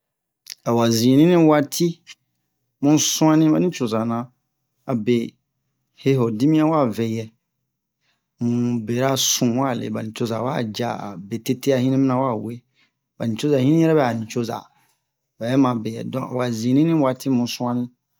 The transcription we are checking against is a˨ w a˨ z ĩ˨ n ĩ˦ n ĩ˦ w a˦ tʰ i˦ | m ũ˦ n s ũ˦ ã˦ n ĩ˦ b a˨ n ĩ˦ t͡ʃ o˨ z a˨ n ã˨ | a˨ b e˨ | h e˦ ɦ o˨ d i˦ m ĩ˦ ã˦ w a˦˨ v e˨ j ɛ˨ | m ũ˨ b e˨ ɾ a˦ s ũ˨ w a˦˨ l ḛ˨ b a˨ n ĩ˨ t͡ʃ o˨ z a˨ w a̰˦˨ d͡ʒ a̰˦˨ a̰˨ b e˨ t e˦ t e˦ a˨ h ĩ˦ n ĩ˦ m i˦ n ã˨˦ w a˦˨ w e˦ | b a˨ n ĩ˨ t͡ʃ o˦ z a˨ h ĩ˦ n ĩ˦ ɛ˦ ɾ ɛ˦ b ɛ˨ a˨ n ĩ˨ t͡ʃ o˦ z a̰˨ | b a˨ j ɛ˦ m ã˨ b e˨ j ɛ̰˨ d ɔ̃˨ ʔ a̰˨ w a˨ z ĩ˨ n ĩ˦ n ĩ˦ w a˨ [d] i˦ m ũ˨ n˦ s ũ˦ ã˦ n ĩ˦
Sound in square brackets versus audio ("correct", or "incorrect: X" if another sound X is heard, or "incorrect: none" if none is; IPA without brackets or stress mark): incorrect: t